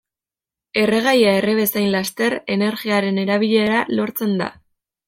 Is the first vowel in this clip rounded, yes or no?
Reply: no